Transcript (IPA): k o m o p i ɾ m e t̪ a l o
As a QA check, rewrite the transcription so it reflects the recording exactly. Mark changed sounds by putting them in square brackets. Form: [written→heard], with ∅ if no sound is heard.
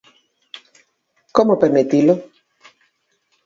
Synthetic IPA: k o m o p [i→e] ɾ m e t̪ [a→i] l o